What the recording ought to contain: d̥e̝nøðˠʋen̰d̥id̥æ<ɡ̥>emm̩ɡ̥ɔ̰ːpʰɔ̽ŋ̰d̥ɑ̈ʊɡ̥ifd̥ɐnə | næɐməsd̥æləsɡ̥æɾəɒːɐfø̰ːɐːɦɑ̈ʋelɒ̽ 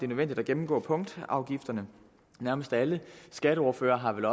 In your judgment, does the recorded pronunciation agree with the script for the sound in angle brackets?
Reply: yes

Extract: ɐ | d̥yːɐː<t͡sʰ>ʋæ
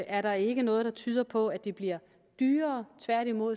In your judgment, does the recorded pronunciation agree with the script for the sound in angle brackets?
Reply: yes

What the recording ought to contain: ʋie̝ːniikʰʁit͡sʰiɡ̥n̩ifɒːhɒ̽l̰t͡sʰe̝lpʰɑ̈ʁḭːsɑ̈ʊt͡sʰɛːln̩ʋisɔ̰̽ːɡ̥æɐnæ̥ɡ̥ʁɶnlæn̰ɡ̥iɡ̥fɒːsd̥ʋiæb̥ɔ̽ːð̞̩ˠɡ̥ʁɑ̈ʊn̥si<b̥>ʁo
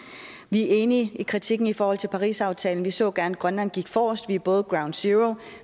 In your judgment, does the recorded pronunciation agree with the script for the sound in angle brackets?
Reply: no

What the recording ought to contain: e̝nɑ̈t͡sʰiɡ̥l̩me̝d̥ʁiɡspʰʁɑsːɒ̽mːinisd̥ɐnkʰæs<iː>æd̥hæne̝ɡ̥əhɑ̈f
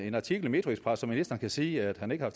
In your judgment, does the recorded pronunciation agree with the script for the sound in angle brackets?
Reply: yes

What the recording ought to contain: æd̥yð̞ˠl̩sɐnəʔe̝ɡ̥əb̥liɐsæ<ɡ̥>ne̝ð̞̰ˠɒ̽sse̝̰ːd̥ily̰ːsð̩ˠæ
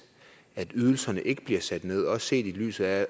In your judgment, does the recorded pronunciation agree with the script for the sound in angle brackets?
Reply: no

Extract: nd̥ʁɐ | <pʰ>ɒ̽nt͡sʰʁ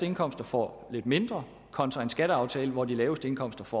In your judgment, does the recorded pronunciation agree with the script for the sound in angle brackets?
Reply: no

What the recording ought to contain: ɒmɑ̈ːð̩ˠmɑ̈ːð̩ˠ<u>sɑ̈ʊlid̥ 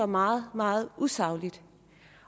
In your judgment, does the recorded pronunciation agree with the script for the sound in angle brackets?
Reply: yes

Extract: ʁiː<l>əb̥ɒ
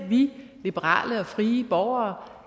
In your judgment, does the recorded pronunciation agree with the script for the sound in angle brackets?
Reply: no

